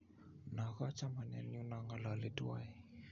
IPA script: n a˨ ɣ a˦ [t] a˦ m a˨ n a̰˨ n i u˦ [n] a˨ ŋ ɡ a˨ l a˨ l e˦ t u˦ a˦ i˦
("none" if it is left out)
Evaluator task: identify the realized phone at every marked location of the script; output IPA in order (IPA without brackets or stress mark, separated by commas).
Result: t͡ʃ, n